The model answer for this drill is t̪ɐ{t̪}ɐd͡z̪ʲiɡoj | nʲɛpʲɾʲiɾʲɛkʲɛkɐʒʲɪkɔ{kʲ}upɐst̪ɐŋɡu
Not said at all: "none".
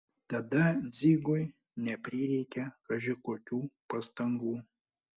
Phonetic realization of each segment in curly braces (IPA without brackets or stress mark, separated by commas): d̪, kʲ